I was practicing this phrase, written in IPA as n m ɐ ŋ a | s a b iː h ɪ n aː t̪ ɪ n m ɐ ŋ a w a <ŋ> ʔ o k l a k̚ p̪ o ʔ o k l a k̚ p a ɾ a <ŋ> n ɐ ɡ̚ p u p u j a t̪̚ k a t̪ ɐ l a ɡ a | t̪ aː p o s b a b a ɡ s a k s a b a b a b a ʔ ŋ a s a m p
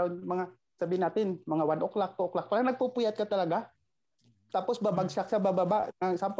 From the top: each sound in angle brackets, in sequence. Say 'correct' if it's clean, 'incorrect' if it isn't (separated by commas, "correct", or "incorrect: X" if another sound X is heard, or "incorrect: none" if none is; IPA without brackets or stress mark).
incorrect: n, correct